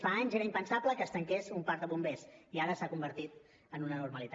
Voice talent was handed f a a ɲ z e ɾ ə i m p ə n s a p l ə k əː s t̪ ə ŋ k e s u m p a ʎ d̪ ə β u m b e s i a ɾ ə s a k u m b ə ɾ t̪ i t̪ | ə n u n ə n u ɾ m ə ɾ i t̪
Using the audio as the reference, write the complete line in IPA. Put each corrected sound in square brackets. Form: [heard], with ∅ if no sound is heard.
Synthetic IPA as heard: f a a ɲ z e ɾ ə i m p ə n s a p l ə k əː s t̪ ə ŋ k e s u m p a [ɾ] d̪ ə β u m b e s i a ɾ ə s a k u m b ə ɾ t̪ i t̪ | ə n u n ə n u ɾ m ə [l] i t̪